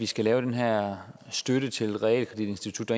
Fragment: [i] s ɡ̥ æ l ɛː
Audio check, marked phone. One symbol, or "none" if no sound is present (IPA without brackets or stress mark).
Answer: i